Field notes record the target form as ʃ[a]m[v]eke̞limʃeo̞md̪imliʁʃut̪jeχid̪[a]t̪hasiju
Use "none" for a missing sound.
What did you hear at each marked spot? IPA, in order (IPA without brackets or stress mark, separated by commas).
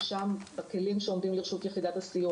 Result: a, b, a